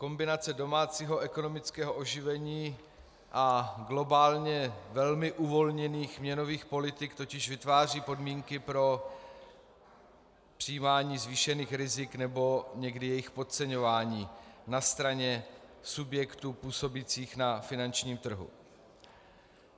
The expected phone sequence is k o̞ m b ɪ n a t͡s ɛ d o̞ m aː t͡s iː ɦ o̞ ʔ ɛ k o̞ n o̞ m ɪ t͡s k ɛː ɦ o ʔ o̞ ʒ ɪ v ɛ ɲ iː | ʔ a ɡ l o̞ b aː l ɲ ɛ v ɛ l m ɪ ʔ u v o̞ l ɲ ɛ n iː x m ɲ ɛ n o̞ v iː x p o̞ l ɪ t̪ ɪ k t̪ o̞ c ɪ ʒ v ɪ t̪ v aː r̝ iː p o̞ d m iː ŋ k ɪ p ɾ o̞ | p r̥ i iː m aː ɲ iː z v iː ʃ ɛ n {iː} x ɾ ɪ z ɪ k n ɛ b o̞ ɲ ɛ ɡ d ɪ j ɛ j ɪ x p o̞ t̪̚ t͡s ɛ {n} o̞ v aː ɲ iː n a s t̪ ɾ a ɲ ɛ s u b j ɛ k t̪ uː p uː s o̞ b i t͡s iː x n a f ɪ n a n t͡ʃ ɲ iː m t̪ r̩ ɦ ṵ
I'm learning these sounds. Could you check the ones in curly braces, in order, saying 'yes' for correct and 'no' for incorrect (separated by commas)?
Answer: yes, no